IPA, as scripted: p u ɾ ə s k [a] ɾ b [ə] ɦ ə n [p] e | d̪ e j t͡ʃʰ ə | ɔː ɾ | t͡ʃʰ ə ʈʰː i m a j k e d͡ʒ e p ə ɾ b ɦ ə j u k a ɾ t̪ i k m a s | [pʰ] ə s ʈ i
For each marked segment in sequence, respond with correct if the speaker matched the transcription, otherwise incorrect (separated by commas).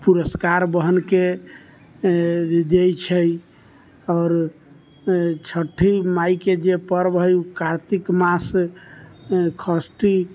correct, correct, incorrect, incorrect